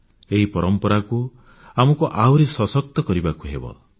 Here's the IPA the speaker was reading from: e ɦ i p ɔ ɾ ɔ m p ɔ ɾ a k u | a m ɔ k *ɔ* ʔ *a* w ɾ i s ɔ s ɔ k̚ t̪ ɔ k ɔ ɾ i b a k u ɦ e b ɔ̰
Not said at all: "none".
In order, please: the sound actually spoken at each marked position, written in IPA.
u, a

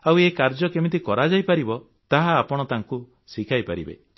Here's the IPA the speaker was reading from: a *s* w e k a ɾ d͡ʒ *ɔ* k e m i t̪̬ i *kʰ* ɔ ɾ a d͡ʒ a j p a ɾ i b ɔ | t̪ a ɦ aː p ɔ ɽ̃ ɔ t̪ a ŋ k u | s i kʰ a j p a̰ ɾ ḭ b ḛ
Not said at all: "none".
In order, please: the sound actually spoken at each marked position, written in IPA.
none, ɔ, k

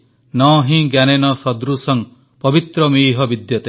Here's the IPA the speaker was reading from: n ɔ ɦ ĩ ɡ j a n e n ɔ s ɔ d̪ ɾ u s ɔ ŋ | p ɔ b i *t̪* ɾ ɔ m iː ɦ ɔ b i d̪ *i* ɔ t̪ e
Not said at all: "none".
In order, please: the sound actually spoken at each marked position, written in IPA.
t̪, j

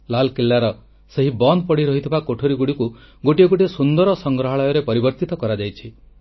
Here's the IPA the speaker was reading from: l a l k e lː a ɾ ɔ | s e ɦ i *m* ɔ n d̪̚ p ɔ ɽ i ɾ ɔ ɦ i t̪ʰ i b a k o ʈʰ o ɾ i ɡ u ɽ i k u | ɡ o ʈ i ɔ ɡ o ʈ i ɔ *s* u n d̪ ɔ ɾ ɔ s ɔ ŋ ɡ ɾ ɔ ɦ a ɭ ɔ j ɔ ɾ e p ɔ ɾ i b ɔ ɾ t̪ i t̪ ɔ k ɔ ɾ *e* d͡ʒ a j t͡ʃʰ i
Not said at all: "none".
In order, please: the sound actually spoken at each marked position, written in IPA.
b, s, a

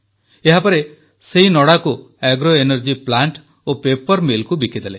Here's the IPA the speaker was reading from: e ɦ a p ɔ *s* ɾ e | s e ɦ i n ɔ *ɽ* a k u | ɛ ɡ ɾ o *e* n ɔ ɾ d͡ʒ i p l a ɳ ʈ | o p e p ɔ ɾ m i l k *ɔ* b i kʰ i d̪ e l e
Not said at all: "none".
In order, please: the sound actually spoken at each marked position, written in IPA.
none, ɽ, e, u

